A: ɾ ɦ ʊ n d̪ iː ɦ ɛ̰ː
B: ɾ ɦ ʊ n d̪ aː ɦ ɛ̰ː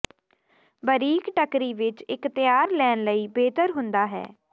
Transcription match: B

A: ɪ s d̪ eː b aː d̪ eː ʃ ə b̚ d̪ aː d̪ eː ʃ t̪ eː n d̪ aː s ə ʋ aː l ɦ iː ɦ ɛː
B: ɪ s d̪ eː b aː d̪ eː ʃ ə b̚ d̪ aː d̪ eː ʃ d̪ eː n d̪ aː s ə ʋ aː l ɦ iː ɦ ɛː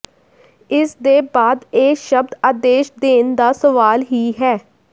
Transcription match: B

